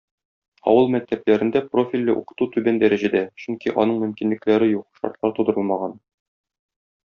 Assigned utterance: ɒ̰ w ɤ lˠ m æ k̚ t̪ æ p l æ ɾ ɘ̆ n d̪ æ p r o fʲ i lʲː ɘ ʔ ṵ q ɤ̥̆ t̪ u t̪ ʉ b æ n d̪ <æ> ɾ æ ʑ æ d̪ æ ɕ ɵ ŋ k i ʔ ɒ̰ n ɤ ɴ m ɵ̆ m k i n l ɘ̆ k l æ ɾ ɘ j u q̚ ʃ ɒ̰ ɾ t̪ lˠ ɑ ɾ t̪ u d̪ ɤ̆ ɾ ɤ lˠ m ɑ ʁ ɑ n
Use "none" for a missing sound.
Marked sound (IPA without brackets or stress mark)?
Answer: æ